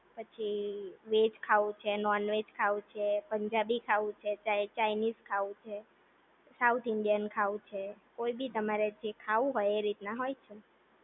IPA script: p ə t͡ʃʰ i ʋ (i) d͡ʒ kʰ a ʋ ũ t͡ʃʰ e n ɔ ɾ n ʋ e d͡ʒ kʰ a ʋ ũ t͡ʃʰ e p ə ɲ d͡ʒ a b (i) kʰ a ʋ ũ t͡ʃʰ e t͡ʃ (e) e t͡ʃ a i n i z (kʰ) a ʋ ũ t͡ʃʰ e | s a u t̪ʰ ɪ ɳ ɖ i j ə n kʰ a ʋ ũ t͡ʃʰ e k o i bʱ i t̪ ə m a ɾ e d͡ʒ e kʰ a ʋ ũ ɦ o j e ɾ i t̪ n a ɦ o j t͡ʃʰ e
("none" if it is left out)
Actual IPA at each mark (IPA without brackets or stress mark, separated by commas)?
e, i, a, kʰ